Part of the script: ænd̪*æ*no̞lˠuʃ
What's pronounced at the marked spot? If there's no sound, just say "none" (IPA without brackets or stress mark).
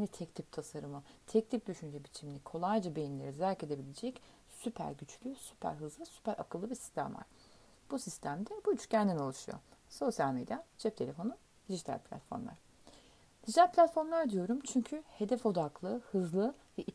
i